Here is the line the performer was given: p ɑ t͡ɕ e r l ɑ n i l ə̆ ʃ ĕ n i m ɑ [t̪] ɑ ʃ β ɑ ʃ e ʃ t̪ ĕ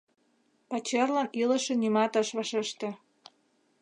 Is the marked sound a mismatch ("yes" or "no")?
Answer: no